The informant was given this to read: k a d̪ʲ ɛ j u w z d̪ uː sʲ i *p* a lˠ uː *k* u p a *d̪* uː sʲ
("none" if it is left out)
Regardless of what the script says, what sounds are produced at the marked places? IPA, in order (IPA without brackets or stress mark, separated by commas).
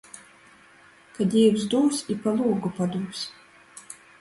p, ɡ, d̪